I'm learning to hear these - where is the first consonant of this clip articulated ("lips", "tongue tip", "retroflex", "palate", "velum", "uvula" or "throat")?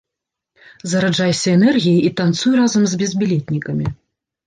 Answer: tongue tip